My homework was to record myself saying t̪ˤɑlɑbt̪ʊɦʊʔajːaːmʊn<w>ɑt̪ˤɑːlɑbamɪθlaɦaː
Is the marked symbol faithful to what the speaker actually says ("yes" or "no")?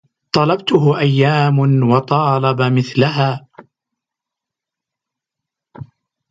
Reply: yes